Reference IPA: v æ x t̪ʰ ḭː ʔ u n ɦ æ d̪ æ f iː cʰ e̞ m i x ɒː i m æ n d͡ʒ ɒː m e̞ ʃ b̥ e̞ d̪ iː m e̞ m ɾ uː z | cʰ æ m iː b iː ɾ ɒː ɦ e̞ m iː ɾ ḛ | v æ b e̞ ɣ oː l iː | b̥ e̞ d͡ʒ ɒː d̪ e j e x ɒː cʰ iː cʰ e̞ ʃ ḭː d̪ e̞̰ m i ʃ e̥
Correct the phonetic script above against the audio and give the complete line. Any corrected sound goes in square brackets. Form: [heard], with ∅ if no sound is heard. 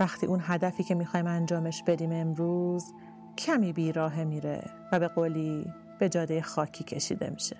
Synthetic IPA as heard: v æ x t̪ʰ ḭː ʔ u n ɦ æ d̪ æ f iː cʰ e̞ m i x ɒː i m æ n d͡ʒ ɒː m e̞ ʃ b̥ e̞ d̪ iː m e̞ m ɾ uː z | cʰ æ m iː b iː ɾ ɒː ɦ e̞ m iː ɾ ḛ | v æ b e̞ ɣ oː l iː | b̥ e̞ d͡ʒ ɒː d̪ e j e x ɒː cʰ iː cʰ e̞ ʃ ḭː d̪ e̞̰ m i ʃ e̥